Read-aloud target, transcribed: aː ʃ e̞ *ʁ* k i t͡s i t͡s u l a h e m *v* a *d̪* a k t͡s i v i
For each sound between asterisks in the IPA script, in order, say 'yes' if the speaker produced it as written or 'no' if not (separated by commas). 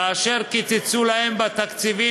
yes, no, no